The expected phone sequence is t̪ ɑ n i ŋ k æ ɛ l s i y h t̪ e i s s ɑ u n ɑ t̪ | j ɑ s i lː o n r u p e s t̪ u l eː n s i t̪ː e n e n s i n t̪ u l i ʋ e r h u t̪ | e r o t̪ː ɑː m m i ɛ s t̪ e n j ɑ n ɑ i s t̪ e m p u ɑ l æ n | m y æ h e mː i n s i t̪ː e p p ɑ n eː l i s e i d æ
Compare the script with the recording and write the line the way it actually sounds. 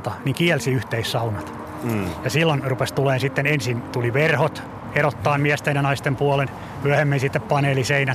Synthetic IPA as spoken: t̪ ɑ n i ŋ k i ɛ l s i y h t̪ e i s s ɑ u n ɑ t̪ | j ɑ s i lː o n r u p e s t̪ u l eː n s i t̪ː e n e n s i n t̪ u l i ʋ e r h o t̪ | e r o t̪ː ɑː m m i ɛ s t̪ e n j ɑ n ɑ i s t̪ e m p u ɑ l e n | m y æ h e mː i n s i t̪ː e p p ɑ n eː l i s e i n æ